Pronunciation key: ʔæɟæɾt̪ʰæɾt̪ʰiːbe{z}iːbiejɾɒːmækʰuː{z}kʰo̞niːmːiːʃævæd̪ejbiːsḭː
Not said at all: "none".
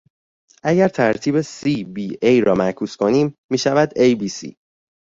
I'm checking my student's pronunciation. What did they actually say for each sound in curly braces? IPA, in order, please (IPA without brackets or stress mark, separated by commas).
s, s